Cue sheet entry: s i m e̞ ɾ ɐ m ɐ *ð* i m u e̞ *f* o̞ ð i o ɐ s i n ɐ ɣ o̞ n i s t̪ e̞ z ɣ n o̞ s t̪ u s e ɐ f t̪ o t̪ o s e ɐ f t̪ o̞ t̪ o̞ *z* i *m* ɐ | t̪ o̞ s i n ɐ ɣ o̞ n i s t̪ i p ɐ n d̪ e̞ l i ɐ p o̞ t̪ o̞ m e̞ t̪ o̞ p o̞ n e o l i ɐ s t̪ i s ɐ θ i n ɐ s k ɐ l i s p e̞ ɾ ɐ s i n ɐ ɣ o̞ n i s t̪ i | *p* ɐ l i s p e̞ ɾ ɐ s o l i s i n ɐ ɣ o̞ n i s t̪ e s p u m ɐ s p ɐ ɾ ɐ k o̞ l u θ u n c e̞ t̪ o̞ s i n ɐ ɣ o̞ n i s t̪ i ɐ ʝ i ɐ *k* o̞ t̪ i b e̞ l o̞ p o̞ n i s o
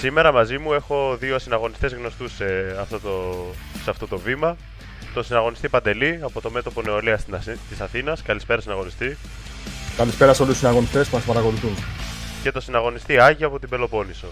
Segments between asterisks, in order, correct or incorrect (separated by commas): incorrect, incorrect, incorrect, correct, incorrect, incorrect